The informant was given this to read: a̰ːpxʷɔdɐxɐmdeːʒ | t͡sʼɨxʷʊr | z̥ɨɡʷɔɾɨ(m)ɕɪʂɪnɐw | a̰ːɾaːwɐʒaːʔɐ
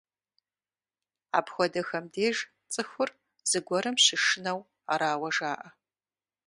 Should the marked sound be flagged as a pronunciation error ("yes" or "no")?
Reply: no